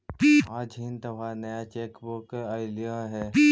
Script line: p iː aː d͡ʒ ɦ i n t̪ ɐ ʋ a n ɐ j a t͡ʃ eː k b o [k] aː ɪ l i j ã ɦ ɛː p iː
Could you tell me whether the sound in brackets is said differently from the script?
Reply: no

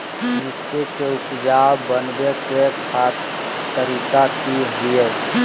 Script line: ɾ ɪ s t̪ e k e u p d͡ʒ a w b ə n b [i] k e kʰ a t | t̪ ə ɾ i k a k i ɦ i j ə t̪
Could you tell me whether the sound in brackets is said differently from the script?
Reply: yes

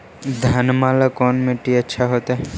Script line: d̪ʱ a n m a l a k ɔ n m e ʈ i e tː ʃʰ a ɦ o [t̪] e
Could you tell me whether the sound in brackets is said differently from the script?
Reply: no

